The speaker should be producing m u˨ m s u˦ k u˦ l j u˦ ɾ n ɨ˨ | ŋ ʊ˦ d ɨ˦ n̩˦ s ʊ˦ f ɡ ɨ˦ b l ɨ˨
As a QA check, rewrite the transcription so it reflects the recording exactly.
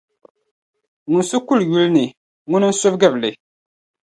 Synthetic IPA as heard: ŋ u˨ n s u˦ k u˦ l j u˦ l n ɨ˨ | ŋ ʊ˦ n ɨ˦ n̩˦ s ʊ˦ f ɡ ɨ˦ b l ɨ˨